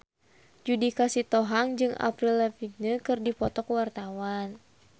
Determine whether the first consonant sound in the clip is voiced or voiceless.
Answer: voiced